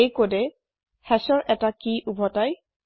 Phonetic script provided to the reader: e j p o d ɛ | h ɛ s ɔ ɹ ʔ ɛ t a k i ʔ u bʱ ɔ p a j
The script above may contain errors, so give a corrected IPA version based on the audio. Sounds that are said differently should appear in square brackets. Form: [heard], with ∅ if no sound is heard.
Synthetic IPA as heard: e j [k] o d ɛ | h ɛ s ɔ ɹ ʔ ɛ t a k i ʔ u bʱ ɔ [t] a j